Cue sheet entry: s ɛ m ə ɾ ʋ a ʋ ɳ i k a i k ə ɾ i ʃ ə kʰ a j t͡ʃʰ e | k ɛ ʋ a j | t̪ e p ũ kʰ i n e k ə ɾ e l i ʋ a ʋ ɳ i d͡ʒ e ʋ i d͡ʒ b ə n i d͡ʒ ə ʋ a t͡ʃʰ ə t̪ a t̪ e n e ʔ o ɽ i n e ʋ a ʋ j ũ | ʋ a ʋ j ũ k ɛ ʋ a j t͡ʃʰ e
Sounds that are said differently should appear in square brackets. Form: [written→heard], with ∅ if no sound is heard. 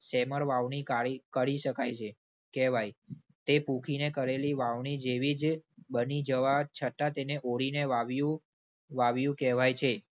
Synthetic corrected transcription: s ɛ m ə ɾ ʋ a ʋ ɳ i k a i k ə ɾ i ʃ ə [kʰ→k] a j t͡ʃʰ e | k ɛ ʋ a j | t̪ e p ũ kʰ i n e k ə ɾ e l i ʋ a ʋ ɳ i d͡ʒ e ʋ i d͡ʒ b ə n i d͡ʒ ə ʋ a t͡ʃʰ ə t̪ a t̪ e n e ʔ o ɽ i n e ʋ a ʋ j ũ | ʋ a ʋ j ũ k ɛ ʋ a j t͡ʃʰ e